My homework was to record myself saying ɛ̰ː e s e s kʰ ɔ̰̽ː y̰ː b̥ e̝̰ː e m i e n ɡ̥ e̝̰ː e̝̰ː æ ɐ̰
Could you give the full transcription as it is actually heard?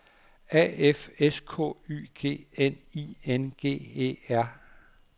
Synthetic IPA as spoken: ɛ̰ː e f e s kʰ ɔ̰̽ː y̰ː ɡ̥ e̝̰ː e n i e n ɡ̥ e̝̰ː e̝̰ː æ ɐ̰